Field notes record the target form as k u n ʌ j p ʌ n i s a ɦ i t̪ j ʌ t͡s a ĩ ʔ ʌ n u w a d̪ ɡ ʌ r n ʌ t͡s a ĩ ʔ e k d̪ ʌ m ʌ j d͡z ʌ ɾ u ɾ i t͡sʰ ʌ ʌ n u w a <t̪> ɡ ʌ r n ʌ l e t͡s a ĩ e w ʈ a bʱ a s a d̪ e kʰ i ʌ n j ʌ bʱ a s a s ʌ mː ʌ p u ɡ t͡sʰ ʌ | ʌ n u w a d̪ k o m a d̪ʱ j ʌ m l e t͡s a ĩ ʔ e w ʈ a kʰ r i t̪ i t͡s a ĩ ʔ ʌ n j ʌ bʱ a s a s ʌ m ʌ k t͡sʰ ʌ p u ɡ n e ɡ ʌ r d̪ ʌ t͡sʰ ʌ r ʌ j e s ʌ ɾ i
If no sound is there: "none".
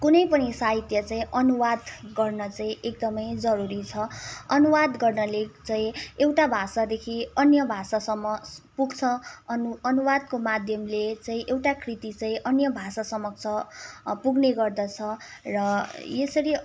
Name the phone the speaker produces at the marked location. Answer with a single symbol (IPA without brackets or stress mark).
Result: d̪